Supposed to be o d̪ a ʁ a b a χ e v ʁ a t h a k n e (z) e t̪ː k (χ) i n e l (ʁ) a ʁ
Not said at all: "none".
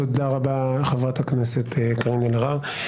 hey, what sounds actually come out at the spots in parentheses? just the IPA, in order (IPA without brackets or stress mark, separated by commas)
s, ʁ, ʁ